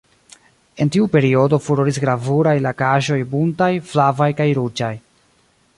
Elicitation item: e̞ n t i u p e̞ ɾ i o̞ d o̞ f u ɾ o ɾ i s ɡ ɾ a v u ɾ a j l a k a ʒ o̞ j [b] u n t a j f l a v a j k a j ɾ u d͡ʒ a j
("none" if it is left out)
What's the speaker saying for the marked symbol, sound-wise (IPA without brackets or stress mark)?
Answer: b